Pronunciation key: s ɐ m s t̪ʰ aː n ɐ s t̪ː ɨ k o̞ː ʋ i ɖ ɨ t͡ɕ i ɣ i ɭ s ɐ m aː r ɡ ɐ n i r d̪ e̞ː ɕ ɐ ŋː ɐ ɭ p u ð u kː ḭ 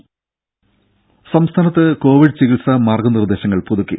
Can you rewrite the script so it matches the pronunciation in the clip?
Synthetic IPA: s ɐ m s t̪ʰ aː n ɐ t̪ː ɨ k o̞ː ʋ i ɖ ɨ t͡ɕ i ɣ i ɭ s ɐ m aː r ɡ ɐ n i r d̪ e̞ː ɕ ɐ ŋː ɐ ɭ p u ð u kː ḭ